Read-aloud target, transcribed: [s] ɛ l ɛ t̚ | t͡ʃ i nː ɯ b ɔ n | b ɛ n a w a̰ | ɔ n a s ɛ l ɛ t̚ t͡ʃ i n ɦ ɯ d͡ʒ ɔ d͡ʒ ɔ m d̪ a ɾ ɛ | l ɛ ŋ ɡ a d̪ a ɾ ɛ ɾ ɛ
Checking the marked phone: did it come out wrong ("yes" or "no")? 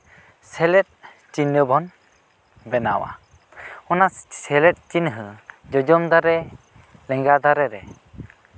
no